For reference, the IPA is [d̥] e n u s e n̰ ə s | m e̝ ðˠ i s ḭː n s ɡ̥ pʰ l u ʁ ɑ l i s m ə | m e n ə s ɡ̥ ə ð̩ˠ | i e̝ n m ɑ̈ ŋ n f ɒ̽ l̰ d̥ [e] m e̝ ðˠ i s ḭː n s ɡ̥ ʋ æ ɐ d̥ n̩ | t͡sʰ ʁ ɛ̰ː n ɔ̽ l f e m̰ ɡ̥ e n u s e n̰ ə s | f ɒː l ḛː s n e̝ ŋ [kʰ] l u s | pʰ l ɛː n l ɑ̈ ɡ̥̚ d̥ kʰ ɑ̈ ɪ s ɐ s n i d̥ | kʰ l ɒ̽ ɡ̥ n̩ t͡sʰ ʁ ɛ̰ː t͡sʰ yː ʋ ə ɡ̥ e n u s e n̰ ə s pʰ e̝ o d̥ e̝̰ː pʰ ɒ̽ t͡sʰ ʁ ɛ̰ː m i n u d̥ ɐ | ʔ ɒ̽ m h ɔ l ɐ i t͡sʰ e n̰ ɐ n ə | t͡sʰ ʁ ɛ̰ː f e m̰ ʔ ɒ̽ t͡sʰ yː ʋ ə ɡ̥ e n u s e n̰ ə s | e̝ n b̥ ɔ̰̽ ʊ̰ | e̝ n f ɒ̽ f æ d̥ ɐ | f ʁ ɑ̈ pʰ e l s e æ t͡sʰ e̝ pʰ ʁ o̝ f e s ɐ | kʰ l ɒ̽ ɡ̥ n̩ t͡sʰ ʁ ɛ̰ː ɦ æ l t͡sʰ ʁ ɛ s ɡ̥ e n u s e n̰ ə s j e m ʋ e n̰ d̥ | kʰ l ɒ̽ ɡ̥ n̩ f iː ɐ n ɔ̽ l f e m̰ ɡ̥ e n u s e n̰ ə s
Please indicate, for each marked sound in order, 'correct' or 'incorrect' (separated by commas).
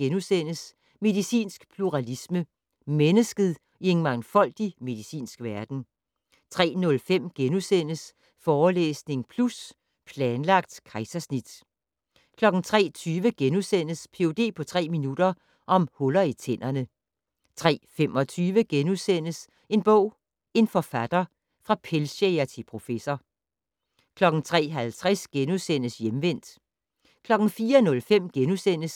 incorrect, incorrect, incorrect